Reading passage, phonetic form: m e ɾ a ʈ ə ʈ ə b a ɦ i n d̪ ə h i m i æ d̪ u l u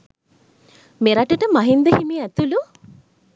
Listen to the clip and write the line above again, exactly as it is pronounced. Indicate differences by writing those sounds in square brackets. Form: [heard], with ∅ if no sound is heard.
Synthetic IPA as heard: m e ɾ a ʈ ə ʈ ə [m] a ɦ i n d̪ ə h i m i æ [t̪] u l u